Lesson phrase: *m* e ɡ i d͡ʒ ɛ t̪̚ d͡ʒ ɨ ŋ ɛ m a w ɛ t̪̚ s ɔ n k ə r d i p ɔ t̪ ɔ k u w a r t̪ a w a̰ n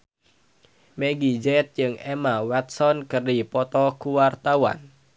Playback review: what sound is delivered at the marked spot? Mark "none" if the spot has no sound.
m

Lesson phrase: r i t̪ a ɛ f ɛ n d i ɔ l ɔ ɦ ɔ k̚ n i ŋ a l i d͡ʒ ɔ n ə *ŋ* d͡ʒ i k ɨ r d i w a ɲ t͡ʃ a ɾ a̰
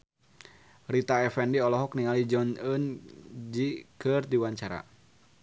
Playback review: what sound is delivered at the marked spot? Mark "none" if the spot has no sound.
n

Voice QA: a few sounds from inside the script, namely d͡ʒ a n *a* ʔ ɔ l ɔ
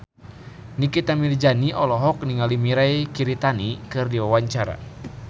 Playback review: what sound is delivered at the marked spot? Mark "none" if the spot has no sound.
i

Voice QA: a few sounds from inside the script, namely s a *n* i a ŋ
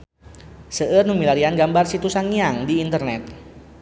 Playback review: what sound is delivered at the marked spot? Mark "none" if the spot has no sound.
ŋ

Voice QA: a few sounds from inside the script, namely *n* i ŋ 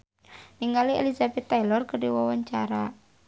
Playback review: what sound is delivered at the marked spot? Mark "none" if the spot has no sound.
n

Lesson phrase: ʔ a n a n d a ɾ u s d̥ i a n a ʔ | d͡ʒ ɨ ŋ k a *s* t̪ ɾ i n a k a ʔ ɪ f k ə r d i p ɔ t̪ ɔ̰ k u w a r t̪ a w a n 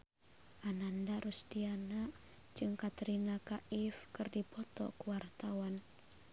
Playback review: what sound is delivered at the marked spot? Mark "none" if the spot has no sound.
none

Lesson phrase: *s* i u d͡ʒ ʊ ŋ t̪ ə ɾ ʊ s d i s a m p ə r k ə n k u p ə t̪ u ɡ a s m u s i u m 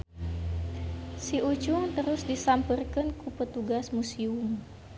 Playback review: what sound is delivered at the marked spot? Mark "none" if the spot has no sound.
s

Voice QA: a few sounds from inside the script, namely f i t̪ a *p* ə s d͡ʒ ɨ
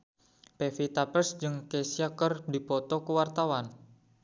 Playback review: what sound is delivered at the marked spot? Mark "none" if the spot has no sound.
p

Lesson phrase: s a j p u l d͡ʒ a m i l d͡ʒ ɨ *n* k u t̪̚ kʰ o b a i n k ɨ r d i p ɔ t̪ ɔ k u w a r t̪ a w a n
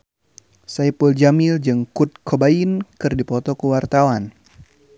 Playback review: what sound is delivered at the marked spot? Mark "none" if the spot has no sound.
ŋ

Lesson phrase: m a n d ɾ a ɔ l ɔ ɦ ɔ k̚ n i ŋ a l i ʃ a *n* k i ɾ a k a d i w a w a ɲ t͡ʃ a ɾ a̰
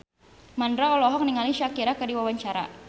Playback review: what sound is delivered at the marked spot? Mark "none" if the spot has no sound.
none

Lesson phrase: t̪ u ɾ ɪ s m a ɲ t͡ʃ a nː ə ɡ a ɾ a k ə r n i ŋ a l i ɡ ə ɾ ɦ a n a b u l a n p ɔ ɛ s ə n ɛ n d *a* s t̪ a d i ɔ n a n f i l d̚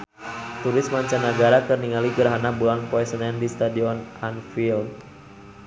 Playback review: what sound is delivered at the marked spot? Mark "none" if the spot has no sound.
i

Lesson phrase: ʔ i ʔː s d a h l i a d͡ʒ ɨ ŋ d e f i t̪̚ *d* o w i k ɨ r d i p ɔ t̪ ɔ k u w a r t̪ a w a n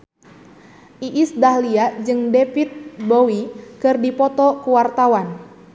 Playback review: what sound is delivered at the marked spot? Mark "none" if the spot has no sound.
b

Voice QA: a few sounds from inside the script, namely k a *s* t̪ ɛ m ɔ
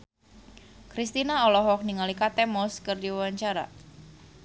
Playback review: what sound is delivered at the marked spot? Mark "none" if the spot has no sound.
none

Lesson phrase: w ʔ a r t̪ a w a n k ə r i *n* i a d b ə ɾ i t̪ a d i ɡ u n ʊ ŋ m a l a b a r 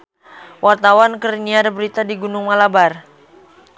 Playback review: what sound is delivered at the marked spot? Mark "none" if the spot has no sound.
n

